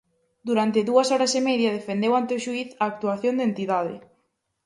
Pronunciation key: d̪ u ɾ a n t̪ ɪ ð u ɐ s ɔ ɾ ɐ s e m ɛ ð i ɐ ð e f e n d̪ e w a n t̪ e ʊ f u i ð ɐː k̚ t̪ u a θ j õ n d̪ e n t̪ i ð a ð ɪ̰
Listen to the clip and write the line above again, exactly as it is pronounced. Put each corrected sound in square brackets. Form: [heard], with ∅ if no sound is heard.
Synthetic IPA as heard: d̪ u ɾ a n t̪ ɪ ð u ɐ s ɔ ɾ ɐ s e m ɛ ð [j] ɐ ð e f e n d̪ e w a n t̪ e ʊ [ʃ] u i [θ] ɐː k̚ t̪ u a θ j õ n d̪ e n t̪ i ð a ð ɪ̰